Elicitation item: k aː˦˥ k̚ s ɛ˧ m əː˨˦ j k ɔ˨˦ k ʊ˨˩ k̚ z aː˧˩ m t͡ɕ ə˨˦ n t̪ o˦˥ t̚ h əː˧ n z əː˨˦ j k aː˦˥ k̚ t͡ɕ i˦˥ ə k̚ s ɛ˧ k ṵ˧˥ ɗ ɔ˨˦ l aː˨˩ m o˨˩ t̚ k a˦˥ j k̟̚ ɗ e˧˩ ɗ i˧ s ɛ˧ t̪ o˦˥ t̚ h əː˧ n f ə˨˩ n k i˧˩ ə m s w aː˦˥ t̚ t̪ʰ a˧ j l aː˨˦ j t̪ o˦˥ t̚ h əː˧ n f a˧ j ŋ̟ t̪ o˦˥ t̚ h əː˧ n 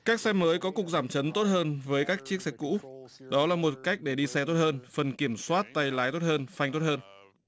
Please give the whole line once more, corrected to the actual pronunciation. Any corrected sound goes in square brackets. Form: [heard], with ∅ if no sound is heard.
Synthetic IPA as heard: k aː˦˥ k̚ s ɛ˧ m əː˨˦ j k ɔ˨˦ k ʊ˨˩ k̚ z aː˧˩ m t͡ɕ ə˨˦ n t̪ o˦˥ t̚ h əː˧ n [v] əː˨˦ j k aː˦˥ k̚ t͡ɕ i˦˥ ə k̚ s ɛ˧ k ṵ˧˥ ɗ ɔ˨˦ l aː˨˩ m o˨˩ t̚ k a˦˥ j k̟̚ ɗ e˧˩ ɗ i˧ s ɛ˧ t̪ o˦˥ t̚ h əː˧ n f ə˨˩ n k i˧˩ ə m s w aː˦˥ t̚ [t̪] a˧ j l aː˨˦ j t̪ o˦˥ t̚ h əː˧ n f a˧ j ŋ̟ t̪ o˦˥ t̚ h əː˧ n